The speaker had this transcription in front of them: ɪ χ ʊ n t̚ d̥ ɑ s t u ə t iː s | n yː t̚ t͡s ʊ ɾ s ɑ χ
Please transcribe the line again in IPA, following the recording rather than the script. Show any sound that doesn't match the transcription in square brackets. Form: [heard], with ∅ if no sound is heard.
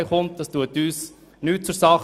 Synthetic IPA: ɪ χ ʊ n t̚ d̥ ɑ s t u ə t [yː] s | n yː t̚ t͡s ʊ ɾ s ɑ χ